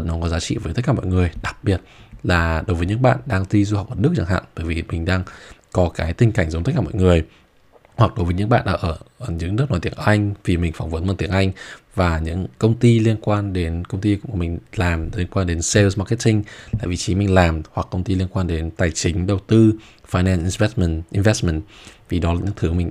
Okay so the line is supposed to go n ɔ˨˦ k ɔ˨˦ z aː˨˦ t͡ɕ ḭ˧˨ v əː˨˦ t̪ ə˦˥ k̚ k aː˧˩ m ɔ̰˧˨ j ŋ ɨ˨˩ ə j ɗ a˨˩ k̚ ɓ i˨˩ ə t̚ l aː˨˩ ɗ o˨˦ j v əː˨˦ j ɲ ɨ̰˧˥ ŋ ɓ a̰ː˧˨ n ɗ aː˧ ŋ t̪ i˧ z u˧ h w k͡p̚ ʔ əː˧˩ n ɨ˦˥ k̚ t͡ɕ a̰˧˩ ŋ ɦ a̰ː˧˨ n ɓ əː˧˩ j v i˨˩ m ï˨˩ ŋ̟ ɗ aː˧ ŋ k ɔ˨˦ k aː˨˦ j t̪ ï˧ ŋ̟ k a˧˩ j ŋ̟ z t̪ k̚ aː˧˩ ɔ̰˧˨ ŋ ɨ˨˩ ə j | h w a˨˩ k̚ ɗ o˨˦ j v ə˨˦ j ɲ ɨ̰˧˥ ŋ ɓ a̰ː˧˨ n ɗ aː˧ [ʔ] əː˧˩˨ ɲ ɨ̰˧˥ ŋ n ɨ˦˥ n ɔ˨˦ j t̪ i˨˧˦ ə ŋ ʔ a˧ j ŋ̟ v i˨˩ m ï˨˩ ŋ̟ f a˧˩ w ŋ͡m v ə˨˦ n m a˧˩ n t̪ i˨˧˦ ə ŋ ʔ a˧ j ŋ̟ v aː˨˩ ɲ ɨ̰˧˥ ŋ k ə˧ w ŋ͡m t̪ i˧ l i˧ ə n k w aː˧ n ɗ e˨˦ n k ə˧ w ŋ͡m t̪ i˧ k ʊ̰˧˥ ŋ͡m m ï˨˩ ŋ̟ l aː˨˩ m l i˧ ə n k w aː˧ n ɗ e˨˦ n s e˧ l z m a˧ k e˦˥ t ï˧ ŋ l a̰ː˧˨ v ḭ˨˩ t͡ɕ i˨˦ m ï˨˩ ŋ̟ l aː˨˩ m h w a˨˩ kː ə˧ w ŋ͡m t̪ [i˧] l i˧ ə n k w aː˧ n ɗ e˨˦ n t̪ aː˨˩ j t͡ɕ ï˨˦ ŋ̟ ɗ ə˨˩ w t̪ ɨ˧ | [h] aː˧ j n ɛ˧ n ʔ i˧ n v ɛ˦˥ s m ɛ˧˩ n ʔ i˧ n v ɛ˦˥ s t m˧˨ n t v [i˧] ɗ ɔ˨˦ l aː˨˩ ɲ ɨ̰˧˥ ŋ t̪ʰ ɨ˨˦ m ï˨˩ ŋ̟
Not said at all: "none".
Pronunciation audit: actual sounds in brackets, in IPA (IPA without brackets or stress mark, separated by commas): ʔ, i˧, f, i˨˩